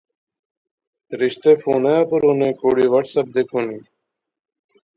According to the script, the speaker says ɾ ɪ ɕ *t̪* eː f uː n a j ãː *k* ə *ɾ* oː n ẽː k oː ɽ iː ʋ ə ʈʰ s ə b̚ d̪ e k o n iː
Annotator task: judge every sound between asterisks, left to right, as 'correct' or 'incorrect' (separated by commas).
correct, incorrect, correct